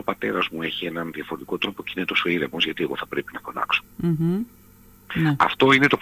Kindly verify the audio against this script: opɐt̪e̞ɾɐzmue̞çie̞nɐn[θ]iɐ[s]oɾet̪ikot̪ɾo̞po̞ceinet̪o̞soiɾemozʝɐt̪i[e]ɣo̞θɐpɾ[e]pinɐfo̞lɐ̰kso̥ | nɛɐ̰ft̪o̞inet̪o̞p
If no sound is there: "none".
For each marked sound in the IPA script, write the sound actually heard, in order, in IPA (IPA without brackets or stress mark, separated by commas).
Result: ð, f, e, e